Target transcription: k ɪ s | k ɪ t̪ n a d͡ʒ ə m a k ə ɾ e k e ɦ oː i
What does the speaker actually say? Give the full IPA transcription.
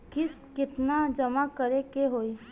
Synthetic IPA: k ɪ s | k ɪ t̪ n a d͡ʒ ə m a k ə ɾ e k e ɦ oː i